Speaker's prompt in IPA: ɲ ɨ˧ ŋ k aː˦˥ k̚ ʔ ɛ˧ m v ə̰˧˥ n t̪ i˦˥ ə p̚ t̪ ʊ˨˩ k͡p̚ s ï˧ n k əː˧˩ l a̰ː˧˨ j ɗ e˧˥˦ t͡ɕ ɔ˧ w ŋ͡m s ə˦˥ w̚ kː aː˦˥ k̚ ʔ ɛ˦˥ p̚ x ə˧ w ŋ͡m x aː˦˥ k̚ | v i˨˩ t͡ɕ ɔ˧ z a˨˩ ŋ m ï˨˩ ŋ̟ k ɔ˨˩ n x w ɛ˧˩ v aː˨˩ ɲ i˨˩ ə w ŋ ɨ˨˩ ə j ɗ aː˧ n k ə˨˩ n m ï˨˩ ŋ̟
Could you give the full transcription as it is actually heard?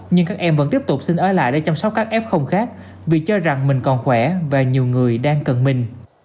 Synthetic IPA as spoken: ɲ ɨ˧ ŋ k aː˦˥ k̚ ʔ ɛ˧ m v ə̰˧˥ n t̪ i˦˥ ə p̚ t̪ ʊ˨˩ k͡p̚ s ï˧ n ʔ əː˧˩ l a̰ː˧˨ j ɗ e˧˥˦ t͡ɕ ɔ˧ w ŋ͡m s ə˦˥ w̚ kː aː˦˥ k̚ ʔ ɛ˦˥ p̚ x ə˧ w ŋ͡m x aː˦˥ k̚ | v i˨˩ t͡ɕ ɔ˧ z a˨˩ ŋ m ï˨˩ ŋ̟ k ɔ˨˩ n x w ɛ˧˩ v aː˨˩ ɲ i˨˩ ə w ŋ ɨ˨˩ ə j ɗ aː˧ ŋ k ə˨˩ n m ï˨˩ ŋ̟